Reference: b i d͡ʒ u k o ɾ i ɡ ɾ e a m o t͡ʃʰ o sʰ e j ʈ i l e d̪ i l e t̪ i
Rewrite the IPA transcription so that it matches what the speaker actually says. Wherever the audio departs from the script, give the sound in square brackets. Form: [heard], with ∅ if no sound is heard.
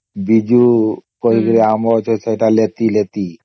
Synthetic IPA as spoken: b i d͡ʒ u k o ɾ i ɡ ɾ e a m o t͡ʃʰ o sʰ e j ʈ [a] l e [t̪] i l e t̪ i